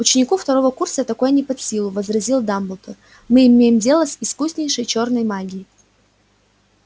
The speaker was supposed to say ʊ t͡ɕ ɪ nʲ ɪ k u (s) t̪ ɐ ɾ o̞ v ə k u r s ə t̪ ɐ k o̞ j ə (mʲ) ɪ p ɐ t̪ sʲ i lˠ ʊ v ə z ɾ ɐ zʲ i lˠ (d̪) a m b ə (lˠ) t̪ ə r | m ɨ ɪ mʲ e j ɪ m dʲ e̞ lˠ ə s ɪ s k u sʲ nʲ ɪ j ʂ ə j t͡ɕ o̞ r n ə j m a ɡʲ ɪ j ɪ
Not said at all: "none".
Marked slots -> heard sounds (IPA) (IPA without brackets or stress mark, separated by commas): f, nʲ, d̪, lˠ